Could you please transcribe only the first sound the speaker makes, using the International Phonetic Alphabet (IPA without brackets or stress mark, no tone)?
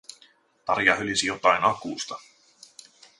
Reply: t̪